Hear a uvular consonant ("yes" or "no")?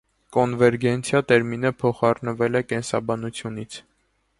yes